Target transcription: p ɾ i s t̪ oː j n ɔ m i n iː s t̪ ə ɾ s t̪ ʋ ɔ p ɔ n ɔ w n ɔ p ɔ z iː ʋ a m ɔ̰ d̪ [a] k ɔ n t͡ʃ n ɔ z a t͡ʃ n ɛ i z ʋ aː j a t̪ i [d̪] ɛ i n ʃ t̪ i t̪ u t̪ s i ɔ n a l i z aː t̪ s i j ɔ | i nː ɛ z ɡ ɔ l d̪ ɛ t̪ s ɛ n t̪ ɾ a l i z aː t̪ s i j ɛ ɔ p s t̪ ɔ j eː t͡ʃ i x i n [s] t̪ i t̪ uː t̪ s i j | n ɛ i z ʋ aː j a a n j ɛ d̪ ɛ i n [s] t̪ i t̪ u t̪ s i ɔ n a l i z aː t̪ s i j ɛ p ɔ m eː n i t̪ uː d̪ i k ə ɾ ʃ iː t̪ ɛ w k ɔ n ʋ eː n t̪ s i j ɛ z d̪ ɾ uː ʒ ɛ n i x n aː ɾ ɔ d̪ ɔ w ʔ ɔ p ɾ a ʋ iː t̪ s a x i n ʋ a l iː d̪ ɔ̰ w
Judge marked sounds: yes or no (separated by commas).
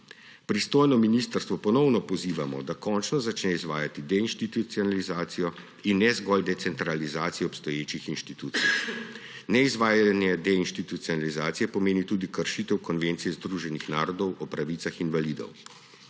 yes, yes, no, no